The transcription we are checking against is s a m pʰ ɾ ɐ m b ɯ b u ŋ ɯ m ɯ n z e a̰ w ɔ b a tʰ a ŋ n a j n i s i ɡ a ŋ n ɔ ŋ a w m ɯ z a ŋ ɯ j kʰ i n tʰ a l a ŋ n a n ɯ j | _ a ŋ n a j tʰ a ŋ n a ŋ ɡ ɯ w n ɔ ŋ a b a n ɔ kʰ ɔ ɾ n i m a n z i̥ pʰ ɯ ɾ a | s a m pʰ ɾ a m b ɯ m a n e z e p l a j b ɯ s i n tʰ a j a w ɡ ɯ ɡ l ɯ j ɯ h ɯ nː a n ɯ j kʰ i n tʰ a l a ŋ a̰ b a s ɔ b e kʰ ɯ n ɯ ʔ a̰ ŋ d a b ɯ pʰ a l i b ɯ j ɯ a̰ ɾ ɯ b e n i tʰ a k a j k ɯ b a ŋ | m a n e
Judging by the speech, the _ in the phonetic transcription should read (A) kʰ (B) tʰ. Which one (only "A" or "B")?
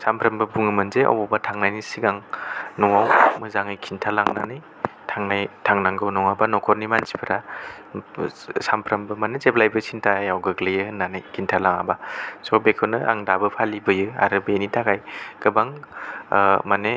B